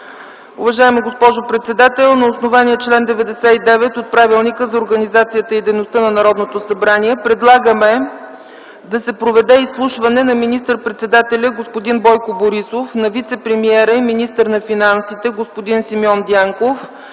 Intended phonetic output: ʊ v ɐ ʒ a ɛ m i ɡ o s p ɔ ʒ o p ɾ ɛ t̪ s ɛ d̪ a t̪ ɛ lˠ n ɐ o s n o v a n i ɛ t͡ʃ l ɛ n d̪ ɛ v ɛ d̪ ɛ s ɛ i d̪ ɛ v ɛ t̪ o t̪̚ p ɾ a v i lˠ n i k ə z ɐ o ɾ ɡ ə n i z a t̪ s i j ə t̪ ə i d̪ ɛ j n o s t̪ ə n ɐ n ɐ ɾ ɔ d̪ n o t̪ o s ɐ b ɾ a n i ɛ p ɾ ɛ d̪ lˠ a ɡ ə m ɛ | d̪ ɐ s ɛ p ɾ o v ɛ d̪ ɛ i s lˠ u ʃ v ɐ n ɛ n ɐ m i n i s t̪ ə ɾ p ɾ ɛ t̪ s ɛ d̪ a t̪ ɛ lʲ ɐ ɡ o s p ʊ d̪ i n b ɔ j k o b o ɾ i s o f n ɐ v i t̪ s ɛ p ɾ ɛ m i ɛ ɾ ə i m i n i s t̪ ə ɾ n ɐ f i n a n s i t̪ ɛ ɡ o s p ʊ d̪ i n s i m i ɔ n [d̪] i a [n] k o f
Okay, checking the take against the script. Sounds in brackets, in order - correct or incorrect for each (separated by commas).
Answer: correct, incorrect